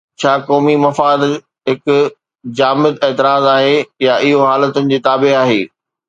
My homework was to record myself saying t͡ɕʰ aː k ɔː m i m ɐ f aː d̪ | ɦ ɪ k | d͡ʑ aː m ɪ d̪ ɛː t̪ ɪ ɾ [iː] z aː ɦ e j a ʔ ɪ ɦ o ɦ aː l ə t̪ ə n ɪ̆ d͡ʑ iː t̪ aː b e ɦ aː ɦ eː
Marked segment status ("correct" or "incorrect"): incorrect